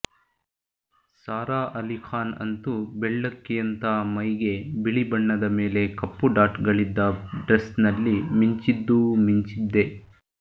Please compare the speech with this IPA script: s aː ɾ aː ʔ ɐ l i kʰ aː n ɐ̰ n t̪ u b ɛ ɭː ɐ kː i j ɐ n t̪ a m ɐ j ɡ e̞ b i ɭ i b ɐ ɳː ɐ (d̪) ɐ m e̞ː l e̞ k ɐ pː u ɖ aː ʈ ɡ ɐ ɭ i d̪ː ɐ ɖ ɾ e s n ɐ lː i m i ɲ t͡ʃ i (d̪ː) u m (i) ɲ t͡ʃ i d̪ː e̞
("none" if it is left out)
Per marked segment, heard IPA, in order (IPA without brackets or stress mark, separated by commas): d̪, d̪ː, i